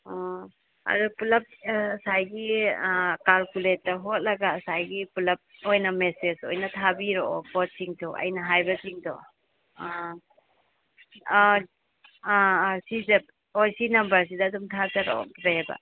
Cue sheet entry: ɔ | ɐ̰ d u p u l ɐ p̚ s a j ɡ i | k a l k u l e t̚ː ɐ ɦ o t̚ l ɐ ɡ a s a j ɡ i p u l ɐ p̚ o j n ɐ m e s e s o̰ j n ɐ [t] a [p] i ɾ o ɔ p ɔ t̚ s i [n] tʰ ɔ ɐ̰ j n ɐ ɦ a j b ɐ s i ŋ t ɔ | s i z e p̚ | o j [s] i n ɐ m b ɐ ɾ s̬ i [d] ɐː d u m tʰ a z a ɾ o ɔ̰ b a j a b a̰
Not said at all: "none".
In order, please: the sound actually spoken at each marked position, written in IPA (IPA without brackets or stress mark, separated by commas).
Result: tʰ, b, ŋ, s, d